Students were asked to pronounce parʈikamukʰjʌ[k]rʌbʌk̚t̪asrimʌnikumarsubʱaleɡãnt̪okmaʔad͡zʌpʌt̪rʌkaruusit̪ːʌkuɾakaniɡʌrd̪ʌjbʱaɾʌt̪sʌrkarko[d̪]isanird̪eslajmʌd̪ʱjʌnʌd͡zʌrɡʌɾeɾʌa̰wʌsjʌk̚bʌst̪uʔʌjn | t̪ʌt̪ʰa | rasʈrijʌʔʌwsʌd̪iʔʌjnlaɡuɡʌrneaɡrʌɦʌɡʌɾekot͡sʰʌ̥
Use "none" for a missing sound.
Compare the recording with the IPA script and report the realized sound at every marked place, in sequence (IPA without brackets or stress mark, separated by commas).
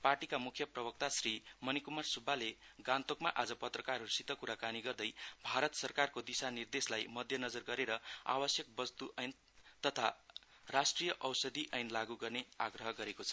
p, d̪